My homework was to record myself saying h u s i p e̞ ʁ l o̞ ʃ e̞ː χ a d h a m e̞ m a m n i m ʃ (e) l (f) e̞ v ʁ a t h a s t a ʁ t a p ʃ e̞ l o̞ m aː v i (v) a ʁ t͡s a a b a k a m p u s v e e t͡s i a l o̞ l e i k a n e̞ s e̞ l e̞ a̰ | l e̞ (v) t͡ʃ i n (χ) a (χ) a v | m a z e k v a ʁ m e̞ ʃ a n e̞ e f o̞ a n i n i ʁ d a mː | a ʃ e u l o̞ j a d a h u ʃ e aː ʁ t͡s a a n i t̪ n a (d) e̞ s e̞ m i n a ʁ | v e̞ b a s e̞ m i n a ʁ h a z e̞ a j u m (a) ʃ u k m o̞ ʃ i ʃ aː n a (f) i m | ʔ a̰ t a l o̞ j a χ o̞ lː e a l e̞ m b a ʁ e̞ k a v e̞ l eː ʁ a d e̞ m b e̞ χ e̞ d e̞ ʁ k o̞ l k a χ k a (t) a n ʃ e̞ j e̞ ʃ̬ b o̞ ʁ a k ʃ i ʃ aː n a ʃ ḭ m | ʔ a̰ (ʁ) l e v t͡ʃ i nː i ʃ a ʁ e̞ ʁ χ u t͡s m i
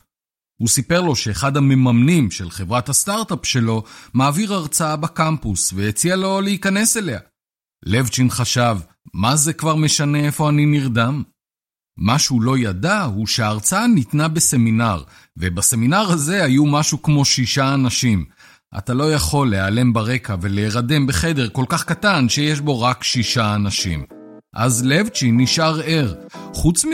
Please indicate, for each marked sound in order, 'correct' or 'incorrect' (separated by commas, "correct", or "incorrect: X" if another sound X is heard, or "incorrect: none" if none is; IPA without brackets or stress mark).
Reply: correct, incorrect: χ, incorrect: ʁ, correct, correct, incorrect: ʃ, incorrect: b, correct, incorrect: ʃ, correct, incorrect: z